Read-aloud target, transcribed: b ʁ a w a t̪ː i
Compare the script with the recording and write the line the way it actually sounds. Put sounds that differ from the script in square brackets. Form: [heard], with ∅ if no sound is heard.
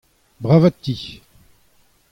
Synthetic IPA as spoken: b ʁ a [v] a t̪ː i